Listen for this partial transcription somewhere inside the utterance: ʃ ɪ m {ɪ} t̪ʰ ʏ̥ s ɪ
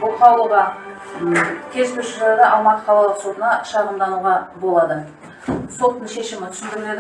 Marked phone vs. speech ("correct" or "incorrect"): correct